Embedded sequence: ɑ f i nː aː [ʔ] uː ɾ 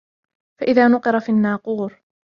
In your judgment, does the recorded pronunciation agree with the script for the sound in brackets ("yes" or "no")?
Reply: no